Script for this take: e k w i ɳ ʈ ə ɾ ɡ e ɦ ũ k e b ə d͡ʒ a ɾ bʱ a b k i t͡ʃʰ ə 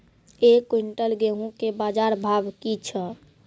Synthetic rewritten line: e k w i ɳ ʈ ə l ɡ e ɦ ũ k e b a d͡ʒ a ɾ bʱ a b k i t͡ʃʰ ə